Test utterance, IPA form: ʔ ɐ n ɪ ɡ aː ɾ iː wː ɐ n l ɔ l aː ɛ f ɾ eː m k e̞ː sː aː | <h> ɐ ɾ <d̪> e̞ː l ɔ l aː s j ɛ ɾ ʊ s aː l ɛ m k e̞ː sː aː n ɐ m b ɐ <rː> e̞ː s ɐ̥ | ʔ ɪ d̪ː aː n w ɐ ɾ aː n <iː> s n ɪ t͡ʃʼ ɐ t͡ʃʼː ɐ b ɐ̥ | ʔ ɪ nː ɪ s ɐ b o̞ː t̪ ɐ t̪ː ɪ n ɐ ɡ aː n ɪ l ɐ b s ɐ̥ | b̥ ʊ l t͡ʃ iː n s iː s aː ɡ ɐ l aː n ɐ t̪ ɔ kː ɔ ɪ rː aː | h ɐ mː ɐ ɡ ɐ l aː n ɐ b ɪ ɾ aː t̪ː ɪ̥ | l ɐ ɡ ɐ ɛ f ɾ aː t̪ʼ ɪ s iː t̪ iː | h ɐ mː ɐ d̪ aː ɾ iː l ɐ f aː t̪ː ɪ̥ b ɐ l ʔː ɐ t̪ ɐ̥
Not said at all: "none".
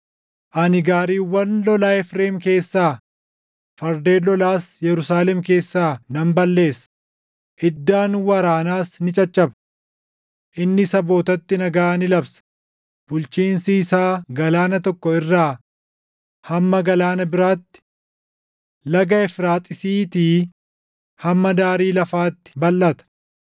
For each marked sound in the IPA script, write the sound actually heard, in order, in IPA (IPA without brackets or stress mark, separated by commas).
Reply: f, d̪, lː, aː